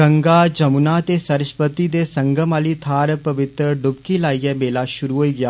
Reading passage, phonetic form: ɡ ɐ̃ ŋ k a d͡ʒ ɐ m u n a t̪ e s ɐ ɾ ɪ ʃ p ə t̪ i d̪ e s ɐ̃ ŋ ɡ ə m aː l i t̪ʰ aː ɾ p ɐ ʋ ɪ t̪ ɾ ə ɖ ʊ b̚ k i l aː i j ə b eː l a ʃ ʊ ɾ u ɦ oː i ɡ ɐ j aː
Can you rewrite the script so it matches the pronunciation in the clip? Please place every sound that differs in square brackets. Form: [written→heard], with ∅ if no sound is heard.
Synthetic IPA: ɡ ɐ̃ ŋ [k→ɡ] a d͡ʒ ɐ m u n a t̪ e s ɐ ɾ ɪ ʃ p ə t̪ i d̪ e s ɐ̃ ŋ ɡ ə m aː l i t̪ʰ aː ɾ p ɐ ʋ ɪ t̪ ɾ ə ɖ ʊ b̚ k i l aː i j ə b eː l a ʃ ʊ ɾ u ɦ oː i ɡ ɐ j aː